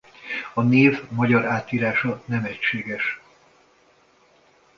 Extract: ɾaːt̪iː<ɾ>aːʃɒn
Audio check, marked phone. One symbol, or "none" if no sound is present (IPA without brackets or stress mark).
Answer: ɾ